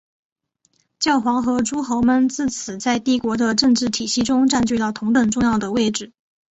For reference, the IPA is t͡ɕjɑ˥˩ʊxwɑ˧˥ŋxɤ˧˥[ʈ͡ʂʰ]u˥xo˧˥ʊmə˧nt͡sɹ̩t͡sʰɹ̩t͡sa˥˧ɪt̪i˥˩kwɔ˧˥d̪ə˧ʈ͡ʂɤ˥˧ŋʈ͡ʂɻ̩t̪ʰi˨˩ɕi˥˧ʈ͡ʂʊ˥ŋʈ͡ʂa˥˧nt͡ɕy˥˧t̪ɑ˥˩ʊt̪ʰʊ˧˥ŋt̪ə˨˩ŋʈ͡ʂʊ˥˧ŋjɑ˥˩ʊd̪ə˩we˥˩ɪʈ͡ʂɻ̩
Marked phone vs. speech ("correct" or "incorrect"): incorrect